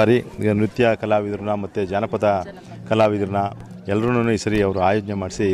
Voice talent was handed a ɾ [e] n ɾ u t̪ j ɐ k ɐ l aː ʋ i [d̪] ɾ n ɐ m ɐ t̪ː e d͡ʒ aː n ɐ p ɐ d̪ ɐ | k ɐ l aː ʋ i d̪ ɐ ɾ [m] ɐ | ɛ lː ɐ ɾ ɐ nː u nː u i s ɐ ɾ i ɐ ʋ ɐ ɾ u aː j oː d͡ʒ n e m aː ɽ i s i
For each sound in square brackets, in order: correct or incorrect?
incorrect: i, correct, incorrect: n

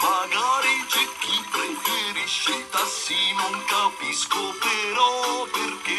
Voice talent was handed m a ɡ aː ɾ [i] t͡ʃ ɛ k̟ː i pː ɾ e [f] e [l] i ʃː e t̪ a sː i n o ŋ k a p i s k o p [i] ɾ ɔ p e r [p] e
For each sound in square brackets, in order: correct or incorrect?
correct, correct, incorrect: ɾ, incorrect: e, incorrect: k

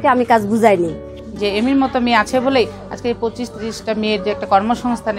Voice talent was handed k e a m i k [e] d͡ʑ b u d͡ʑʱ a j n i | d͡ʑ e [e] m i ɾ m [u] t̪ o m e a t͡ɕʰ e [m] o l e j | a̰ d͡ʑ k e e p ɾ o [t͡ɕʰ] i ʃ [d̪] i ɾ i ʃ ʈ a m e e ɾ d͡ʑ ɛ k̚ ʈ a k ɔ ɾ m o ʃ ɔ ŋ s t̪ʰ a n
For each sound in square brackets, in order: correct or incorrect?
incorrect: a, correct, incorrect: ɔ, incorrect: b, incorrect: t͡ɕ, incorrect: t̪

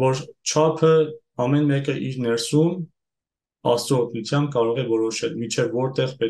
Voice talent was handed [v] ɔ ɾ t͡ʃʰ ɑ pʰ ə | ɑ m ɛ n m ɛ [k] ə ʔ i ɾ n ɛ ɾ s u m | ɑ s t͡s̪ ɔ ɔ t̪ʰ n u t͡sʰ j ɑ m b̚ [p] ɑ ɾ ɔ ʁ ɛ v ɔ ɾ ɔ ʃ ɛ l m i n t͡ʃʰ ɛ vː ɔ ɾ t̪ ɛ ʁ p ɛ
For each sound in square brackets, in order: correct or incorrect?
correct, correct, incorrect: k

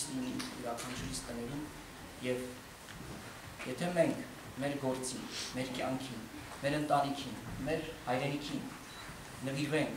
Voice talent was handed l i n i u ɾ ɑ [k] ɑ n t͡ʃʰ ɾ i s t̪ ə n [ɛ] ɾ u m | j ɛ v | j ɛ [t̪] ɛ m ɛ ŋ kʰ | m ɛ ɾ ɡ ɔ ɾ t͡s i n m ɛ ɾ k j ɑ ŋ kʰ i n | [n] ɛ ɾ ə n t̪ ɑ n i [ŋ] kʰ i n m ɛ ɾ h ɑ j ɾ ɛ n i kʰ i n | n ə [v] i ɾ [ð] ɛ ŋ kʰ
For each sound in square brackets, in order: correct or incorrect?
incorrect: kʰ, correct, incorrect: t̪ʰ, incorrect: m, incorrect: none, correct, incorrect: v

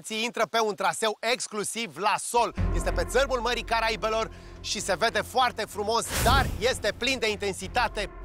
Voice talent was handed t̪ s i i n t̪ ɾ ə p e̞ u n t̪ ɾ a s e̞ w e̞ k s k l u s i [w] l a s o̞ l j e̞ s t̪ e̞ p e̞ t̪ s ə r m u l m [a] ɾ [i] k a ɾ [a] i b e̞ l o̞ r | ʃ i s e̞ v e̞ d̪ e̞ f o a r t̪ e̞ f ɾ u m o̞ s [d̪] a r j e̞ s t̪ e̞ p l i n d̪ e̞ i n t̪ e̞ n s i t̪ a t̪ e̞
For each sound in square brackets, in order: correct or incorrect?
incorrect: v, incorrect: ə, correct, correct, correct

